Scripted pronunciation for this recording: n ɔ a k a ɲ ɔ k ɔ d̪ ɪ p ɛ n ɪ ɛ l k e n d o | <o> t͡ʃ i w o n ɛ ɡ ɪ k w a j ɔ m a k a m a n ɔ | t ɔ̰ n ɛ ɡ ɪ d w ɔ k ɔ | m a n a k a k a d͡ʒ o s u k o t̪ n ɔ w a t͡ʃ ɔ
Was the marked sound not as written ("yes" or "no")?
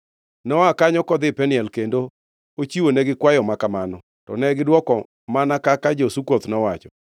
no